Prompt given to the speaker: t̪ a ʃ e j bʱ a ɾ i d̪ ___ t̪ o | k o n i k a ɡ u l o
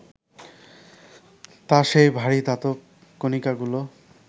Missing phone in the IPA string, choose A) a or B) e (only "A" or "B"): A